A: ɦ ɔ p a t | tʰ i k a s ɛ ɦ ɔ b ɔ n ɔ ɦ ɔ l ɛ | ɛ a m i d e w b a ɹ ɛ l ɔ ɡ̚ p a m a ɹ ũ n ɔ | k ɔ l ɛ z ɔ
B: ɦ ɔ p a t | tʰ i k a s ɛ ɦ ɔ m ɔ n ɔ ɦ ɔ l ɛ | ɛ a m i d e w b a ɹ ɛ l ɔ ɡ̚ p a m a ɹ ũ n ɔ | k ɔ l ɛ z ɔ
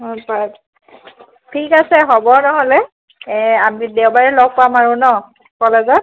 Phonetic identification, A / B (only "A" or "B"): A